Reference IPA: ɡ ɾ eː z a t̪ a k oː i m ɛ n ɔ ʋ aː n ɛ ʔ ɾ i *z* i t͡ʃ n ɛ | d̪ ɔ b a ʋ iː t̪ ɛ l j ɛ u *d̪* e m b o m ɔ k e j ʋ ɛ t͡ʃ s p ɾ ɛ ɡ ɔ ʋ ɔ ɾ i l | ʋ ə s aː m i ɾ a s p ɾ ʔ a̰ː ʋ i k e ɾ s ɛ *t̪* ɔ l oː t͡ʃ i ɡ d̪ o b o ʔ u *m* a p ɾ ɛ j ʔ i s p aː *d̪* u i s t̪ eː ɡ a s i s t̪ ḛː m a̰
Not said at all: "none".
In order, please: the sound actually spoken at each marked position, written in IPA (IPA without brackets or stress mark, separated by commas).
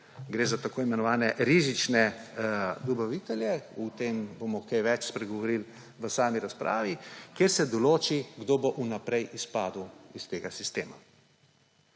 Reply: z, t̪, d̪, n, d̪